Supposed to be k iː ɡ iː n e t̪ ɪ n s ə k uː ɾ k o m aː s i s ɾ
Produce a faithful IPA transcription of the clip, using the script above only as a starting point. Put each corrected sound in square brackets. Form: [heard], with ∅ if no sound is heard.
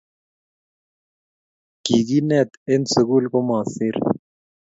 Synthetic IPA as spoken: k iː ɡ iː n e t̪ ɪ n s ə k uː [l] k o m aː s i [∅] ɾ